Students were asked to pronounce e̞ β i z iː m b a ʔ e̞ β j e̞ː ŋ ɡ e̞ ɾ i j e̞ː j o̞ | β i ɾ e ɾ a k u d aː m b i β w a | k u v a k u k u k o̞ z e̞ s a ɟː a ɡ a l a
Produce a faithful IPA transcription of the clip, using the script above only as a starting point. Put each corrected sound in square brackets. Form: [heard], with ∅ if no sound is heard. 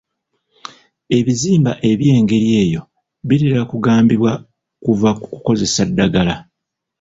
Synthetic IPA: e̞ β i z iː m b a ʔ e̞ β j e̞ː ŋ ɡ e̞ ɾ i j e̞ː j o̞ | β i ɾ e ɾ a k u [ɡ] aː m b i β w a | k u v a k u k u k o̞ z e̞ s a [dː] a ɡ a l a

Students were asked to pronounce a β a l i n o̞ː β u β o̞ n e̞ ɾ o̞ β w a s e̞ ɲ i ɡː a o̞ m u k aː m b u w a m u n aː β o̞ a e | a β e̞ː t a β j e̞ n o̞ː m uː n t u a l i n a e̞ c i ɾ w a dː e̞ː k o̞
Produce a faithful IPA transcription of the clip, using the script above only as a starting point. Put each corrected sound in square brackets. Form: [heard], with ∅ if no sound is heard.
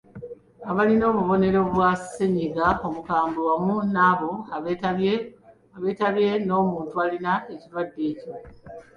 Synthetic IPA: a β a l i n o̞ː β u β o̞ n e̞ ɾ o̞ β w a s e̞ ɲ i [ɡ] a o̞ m u k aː m b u w a m u n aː β o̞ a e | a β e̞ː t a β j e̞ n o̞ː m uː n t u a l i n a e̞ c i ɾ w a dː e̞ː [c] o̞

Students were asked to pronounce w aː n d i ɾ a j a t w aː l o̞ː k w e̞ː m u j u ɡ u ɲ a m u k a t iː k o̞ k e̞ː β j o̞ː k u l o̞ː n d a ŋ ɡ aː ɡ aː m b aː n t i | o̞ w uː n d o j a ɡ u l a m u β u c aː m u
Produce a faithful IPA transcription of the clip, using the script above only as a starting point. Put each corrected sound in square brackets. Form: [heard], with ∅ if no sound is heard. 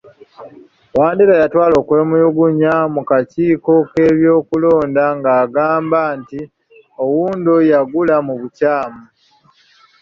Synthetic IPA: w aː n d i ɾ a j a t w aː l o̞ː k w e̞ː m u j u ɡ u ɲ a m u k a [c] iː k o̞ k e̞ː β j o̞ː k u l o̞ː n d a ŋ ɡ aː ɡ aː m b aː n t i | o̞ w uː n d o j a ɡ u l a m u β u c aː m u

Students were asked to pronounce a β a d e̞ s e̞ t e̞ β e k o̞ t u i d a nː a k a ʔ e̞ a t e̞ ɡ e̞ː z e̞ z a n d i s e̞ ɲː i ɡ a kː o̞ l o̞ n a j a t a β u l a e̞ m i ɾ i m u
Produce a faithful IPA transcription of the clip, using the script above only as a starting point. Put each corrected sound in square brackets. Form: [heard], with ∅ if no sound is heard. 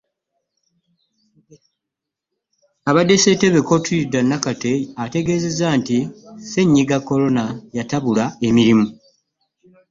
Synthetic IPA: a β a d e̞ s e̞ t e̞ β e k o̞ t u i d a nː a k a [t] e̞ a t e̞ ɡ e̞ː z e̞ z a n [t] i s e̞ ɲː i ɡ a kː o̞ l o̞ n a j a t a β u l a e̞ m i ɾ i m u

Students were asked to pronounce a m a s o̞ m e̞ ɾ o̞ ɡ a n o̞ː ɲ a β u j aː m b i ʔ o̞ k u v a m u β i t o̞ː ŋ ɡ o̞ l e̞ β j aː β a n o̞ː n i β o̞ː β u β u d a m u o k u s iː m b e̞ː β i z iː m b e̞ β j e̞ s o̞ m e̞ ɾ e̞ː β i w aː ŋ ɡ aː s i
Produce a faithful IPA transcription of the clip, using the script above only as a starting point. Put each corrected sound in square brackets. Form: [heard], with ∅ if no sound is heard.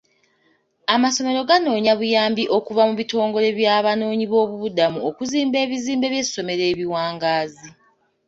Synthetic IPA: a m a s o̞ m e̞ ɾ o̞ ɡ a n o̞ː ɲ a β u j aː m b i ʔ o̞ k u v a m u β i t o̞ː ŋ ɡ o̞ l e̞ β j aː β a n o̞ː [ɲ] i β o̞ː β u β u d a m u o k u [z] iː m b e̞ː β i z iː m b e̞ β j e̞ s o̞ m e̞ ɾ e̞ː β i w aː ŋ ɡ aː [z] i

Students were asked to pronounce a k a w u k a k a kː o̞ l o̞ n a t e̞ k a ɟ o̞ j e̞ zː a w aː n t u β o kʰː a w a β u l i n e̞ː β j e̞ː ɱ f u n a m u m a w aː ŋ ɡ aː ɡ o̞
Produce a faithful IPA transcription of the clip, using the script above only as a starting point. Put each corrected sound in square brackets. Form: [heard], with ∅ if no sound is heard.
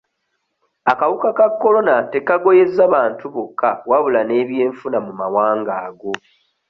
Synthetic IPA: a k a w u k a k a kː o̞ l o̞ n a t e̞ k a [ɡ] o̞ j e̞ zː a [β] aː n t u β o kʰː a w a β u l [a] n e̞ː β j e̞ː ɱ f u n a m u m a w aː ŋ ɡ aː ɡ o̞

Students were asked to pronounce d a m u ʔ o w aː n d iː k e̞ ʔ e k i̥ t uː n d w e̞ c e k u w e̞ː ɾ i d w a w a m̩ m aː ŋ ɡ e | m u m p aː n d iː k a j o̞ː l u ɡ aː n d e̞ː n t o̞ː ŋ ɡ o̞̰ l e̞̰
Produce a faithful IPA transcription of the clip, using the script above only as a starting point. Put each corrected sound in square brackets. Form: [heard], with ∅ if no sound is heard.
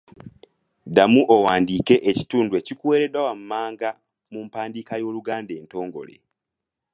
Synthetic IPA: d a m u ʔ o w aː n d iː k e̞ ʔ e [c] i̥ t uː n d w e̞ c [i] k u w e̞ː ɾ [e] d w a w a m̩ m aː ŋ ɡ [a] | m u m p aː n d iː k a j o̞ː l u ɡ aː n d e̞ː n t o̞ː ŋ ɡ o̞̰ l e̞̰

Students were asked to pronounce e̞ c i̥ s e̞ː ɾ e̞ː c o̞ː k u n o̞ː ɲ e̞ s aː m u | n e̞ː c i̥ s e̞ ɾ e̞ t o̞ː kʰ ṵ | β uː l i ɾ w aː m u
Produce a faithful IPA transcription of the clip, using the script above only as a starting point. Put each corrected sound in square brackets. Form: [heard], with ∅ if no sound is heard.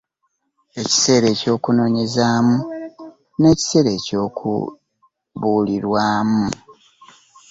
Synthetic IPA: e̞ c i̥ s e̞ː ɾ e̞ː c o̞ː k u n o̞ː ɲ e̞ [z] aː m u | n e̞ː c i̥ s e̞ ɾ e̞ [c] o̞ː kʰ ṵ | β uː l i ɾ w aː m u

